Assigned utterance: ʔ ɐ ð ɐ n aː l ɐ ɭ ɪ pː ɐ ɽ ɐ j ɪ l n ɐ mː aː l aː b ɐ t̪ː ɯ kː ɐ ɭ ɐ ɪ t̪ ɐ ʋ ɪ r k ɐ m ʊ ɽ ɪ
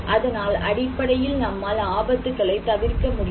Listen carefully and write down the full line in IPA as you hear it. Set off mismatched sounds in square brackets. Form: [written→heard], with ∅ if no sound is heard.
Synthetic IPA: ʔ ɐ ð ɐ n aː l ɐ [ɭ→ɽ] ɪ pː ɐ ɽ ɐ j ɪ l n ɐ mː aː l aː b ɐ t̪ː ɯ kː ɐ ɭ ɐ ɪ t̪ ɐ ʋ ɪ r k ɐ m ʊ ɽ ɪ